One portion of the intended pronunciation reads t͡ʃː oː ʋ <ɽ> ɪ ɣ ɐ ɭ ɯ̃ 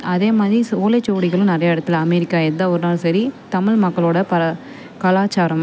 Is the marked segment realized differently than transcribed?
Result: no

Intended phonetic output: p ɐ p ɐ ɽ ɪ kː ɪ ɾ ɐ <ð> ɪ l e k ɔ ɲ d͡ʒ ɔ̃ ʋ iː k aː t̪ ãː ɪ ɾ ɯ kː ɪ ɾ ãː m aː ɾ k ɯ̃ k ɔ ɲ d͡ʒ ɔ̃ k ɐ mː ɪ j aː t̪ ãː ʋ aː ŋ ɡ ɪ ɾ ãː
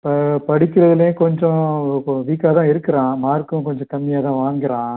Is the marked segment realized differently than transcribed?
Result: no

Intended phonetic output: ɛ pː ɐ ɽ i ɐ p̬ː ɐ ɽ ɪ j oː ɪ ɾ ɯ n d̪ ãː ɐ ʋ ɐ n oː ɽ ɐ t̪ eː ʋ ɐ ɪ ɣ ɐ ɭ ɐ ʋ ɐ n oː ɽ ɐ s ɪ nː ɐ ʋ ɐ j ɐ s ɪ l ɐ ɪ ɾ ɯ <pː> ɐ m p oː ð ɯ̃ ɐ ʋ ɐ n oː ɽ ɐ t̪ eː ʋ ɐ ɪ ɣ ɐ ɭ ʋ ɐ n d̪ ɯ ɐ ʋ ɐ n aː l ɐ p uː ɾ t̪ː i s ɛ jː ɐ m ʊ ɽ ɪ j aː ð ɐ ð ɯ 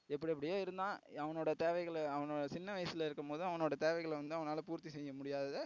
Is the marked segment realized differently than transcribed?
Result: yes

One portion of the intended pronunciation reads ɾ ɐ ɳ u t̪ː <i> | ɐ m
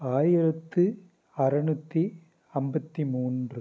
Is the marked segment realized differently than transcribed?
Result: no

